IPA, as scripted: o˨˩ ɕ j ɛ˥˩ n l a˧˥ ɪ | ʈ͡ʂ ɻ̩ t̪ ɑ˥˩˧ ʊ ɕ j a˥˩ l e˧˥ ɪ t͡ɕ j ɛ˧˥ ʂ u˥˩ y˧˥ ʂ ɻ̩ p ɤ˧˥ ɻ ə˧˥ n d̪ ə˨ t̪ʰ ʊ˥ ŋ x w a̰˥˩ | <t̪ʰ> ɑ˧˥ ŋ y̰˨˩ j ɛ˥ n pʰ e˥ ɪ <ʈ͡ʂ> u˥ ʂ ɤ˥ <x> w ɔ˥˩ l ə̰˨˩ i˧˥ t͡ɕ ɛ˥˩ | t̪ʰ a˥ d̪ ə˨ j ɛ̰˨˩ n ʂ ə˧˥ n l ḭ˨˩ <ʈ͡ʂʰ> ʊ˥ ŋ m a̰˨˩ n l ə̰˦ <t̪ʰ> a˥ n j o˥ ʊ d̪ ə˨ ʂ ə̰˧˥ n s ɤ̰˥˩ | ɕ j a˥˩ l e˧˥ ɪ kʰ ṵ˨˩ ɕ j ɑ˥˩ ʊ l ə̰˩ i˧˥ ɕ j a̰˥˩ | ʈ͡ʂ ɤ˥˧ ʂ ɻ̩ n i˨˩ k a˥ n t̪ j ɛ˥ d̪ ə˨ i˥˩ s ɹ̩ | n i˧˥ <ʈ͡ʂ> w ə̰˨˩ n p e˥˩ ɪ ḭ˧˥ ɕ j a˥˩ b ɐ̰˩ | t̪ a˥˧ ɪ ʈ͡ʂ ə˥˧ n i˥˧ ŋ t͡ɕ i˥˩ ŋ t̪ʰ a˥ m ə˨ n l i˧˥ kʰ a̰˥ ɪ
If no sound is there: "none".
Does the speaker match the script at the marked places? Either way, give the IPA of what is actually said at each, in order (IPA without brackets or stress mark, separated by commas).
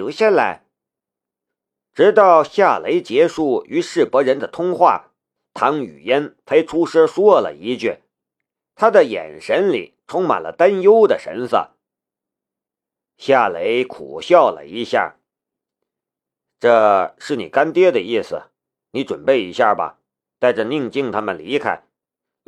t̪ʰ, ʈ͡ʂʰ, ʂ, ʈ͡ʂʰ, t̪, ʈ͡ʂ